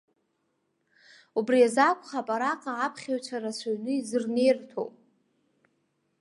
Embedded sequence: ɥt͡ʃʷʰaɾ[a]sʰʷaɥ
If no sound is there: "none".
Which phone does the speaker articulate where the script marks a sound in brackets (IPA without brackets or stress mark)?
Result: a